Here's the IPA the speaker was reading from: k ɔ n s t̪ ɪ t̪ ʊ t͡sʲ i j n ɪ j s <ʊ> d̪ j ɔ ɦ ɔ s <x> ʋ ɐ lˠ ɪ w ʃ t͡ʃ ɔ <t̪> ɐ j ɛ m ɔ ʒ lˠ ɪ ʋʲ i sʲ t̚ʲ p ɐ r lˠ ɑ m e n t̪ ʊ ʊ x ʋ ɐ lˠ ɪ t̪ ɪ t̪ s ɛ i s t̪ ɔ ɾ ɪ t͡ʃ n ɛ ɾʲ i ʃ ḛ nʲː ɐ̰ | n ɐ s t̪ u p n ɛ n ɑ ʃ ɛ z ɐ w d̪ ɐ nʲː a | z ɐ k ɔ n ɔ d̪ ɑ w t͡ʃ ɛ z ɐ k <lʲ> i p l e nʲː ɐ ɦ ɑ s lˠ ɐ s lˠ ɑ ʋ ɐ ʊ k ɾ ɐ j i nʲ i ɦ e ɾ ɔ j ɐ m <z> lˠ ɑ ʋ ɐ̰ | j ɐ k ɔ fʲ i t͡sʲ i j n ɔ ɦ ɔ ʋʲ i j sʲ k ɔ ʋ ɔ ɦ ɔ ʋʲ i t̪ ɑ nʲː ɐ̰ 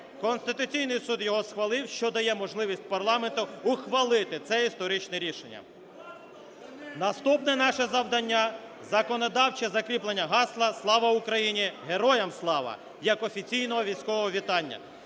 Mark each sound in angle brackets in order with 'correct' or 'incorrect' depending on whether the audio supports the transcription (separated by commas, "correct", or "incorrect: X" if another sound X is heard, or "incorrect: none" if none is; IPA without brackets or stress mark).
incorrect: u, correct, incorrect: d̪, incorrect: ɾʲ, incorrect: s